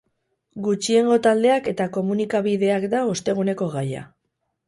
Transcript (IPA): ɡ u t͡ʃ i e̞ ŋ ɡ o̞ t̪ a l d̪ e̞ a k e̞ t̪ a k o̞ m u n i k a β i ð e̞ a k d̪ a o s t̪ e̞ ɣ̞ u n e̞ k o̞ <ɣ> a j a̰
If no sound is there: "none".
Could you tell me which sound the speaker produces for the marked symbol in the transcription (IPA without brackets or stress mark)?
ɣ